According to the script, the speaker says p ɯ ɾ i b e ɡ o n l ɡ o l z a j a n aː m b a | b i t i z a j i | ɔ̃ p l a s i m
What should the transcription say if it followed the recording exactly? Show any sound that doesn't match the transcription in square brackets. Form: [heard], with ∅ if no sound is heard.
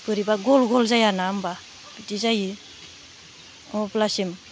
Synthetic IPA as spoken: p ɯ ɾ i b [a] ɡ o [∅] l ɡ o l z a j a n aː m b a | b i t i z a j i | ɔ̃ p l a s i m